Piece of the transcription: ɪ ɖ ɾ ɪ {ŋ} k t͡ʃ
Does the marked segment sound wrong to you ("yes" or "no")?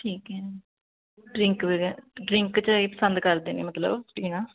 no